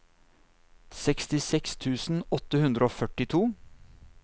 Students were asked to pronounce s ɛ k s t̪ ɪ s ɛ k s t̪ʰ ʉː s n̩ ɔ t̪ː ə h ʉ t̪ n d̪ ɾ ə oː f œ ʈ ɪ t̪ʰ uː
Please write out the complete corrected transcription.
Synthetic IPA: s ɛ k s t̪ ɪ s ɛ k s t̪ʰ ʉː s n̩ ɔ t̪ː ə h ʉ n d̪ ɾ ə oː f œ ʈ ɪ t̪ʰ uː